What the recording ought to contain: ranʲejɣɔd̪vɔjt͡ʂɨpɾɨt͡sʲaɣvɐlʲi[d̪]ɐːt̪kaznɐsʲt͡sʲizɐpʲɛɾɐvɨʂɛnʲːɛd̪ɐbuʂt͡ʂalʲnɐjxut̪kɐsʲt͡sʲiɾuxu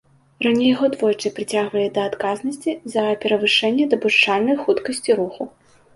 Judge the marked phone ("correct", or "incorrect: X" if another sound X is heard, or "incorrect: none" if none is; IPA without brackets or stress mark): correct